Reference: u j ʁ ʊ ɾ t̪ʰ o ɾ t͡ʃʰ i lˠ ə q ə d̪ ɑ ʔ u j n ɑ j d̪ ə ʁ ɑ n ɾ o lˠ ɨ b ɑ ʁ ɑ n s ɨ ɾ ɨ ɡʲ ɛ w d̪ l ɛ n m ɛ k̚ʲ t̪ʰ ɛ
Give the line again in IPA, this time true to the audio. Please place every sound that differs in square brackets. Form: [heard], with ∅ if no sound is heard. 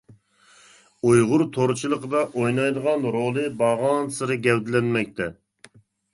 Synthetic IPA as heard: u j ʁ ʊ ɾ t̪ʰ o ɾ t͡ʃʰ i lˠ ə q ə d̪ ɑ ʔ [o] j n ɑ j d̪ ə ʁ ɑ n ɾ o lˠ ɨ b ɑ ʁ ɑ n s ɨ ɾ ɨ ɡʲ ɛ w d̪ l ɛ n m ɛ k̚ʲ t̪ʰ ɛ

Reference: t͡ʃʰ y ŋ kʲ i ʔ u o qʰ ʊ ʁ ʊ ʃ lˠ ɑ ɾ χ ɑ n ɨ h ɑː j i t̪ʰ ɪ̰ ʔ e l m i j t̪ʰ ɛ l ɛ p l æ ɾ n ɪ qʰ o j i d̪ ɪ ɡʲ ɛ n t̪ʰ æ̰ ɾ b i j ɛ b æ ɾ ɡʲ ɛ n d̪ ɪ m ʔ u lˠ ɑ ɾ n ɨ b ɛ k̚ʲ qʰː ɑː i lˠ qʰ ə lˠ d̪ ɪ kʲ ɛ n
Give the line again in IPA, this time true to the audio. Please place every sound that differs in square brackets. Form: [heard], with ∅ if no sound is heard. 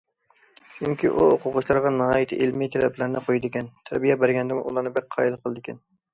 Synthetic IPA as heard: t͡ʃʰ y ŋ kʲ i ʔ u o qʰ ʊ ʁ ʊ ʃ lˠ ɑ ɾ [ʁ] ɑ n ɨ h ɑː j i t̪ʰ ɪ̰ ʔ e l m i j t̪ʰ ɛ l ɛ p l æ ɾ n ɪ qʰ o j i d̪ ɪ [kʲ] ɛ n t̪ʰ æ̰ ɾ b i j ɛ b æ ɾ ɡʲ ɛ n d̪ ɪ m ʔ u lˠ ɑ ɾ n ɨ b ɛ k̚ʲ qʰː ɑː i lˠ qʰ ə lˠ d̪ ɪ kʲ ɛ n

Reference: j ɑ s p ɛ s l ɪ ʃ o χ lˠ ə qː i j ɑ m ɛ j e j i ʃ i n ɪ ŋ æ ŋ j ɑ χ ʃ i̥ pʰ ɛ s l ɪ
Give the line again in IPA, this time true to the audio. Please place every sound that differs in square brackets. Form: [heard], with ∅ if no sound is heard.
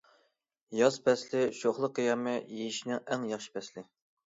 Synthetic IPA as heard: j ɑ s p ɛ s l ɪ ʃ o χ lˠ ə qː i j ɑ m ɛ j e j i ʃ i n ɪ ŋ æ ŋ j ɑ χ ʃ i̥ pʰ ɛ s l ɪ

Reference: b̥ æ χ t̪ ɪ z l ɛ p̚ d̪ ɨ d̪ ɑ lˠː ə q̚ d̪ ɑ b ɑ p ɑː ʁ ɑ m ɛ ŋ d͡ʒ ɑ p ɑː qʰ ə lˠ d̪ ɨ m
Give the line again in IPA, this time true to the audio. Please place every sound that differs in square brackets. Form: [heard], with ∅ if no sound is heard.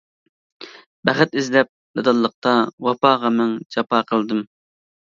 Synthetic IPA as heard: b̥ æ χ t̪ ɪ z l ɛ p̚ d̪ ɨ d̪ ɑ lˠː ə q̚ [t̪] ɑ [w] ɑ p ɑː ʁ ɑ m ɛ ŋ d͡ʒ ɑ p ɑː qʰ ə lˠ d̪ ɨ m

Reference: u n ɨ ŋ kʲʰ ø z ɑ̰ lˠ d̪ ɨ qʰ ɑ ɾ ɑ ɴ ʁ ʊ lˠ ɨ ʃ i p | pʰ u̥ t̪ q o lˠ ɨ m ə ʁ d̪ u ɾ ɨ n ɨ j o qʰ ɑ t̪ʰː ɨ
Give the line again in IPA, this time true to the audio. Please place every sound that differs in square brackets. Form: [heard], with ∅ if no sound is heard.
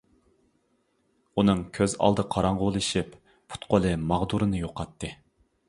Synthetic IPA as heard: u n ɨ ŋ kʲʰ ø z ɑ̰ lˠ d̪ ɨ qʰ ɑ ɾ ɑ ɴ ʁ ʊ lˠ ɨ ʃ i p | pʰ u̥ t̪ q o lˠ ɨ m [ɑ] ʁ d̪ u ɾ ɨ n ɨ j o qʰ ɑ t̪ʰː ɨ

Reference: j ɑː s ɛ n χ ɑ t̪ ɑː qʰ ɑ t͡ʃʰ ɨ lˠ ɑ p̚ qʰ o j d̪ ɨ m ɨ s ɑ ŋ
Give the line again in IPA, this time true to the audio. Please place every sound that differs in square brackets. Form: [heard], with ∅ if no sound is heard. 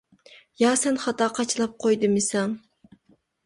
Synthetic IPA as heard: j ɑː s ɛ n χ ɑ t̪ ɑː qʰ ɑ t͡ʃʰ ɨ lˠ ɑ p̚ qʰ o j d̪ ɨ m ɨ s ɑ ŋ

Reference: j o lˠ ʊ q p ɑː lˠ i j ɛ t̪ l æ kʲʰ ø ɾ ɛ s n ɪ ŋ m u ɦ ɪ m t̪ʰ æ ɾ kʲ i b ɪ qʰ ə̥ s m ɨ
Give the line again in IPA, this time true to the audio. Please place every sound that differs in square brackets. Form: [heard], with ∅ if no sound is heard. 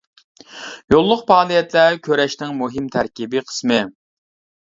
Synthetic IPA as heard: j o [lˠː] ʊ q p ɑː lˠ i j ɛ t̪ l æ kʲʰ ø ɾ ɛ [ʃ] n ɪ ŋ m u ɦ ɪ m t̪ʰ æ ɾ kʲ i b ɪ qʰ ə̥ s m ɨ

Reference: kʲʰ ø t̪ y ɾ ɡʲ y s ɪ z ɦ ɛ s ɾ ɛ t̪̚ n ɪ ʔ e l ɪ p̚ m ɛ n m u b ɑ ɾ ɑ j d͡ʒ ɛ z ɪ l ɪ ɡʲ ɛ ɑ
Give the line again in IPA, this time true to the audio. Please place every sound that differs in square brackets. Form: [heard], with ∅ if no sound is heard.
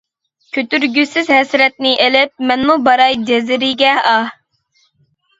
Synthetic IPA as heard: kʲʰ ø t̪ y ɾ ɡʲ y s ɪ z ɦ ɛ s ɾ ɛ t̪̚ n ɪ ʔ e l ɪ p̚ m ɛ n m u b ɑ ɾ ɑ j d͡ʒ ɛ z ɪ [ɾ] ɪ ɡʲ ɛ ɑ

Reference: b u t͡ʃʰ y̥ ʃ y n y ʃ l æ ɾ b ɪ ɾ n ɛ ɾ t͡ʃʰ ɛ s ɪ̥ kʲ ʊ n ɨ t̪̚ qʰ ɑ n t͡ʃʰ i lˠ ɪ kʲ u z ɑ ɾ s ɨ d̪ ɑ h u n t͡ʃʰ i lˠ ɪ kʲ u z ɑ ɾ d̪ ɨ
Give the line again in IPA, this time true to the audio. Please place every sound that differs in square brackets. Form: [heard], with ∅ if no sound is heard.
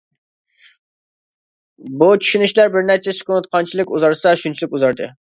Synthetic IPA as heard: b u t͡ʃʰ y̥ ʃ y n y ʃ l æ ɾ b ɪ ɾ n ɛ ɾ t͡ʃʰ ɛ s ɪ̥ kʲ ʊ n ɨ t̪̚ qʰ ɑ n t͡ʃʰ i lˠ ɪ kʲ u z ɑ ɾ s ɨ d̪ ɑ [ʃ] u n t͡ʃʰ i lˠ ɪ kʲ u z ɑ ɾ d̪ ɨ

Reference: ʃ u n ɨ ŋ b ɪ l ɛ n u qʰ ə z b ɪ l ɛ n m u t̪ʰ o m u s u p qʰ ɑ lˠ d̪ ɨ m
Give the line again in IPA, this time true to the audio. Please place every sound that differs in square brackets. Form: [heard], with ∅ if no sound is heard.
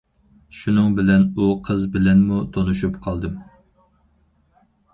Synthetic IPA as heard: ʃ u n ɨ ŋ b ɪ l ɛ n u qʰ ə z b ɪ l ɛ n m u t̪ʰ o [n] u [ʃ] u p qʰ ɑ lˠ d̪ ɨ m

